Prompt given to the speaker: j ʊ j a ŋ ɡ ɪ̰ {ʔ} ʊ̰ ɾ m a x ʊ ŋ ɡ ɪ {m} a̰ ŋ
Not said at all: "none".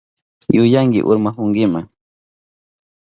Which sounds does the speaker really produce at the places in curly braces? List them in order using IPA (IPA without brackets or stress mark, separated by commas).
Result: ʔ, m